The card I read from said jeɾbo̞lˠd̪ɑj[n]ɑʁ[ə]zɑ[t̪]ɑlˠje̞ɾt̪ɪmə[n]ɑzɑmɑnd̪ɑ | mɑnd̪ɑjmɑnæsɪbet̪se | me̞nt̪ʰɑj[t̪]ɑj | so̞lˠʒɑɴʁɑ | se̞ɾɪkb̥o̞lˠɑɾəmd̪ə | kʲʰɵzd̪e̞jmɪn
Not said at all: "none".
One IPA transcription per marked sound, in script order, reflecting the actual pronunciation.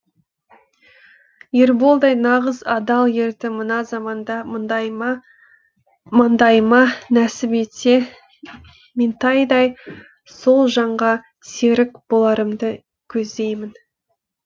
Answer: n, ə, d̪, n, d̪

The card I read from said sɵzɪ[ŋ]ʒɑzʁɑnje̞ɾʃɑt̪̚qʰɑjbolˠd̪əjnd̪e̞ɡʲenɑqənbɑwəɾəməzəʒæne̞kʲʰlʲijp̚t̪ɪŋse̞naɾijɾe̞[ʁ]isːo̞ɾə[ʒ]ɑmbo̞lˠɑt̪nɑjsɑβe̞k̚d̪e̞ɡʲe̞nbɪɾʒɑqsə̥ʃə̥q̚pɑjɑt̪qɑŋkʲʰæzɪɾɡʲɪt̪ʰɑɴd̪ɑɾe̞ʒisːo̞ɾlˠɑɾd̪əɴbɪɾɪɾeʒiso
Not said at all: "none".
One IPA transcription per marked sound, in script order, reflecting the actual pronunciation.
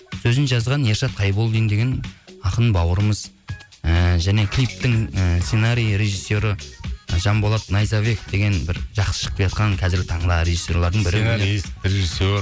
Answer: n, ʒ, ʒ

